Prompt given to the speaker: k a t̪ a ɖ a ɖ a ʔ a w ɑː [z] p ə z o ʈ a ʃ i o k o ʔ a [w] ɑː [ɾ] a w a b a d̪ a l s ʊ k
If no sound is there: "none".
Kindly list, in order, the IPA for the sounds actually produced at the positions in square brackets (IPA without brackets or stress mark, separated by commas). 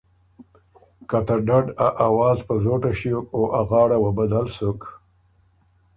z, ɣ, ɽ